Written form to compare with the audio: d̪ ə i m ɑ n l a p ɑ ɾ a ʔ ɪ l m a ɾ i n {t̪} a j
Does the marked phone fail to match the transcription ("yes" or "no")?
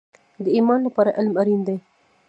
yes